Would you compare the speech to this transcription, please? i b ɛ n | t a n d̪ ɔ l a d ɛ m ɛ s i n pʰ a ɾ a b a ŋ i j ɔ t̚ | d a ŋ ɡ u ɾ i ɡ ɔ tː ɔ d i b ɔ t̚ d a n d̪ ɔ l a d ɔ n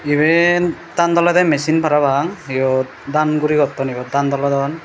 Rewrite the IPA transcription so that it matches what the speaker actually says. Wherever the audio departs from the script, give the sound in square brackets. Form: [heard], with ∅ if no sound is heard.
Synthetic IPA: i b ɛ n | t a n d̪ ɔ l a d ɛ m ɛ s i n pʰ a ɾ a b a ŋ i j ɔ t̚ | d a [n] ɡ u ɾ i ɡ ɔ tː ɔ [n] i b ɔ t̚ d a n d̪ ɔ l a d ɔ n